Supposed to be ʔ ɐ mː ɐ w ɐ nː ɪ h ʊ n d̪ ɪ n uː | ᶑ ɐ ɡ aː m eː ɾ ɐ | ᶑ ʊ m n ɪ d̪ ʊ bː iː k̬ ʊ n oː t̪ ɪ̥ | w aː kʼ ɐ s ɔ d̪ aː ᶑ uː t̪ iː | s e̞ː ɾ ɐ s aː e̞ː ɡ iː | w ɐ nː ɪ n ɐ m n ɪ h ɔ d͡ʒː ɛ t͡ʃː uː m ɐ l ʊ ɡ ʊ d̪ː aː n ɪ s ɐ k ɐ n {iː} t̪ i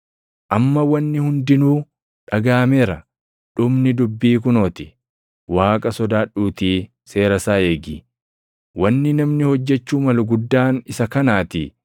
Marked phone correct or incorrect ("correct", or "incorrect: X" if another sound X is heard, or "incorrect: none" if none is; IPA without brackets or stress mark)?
incorrect: aː